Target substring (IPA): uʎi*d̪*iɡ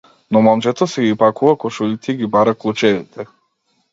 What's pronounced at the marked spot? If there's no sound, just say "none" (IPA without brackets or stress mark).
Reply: t̪